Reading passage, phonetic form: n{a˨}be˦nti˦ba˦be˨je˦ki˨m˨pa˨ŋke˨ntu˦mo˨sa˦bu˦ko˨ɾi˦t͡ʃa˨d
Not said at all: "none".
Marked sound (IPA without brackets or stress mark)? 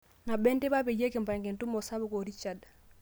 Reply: a˨